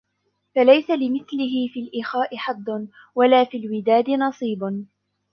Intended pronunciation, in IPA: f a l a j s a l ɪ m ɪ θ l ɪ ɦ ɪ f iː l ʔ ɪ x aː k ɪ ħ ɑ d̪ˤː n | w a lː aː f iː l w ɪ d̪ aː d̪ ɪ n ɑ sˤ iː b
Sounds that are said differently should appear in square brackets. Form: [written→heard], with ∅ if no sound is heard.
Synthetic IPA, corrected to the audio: f a l a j s a l ɪ m ɪ θ l ɪ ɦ ɪ f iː l ʔ ɪ x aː [k→ʔ] ɪ ħ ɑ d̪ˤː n | w a [lː→l] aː f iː l w ɪ d̪ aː d̪ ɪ n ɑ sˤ iː b